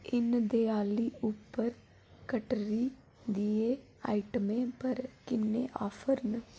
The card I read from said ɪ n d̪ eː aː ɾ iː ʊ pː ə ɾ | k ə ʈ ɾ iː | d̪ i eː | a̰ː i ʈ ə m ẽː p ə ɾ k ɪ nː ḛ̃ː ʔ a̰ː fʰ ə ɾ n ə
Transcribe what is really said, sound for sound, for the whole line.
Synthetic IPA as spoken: ɪ n d̪ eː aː l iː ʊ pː ə ɾ | k ə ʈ ɾ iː | d̪ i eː | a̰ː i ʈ ə m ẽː p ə ɾ k ɪ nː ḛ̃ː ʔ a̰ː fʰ ə ɾ n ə